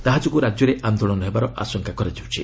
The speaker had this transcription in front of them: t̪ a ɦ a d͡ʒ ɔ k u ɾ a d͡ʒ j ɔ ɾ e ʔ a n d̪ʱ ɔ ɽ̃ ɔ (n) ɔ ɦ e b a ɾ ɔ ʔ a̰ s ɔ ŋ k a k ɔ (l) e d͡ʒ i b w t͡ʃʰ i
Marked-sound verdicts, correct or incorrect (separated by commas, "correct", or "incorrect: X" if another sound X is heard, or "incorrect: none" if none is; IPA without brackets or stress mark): correct, incorrect: ɾ